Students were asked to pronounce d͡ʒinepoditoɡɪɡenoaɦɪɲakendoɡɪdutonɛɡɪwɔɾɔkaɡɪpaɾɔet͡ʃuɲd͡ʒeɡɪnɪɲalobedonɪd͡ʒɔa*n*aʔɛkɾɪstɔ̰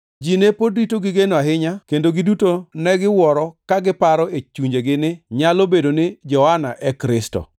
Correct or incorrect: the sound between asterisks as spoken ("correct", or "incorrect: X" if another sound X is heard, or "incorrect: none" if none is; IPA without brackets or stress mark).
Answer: correct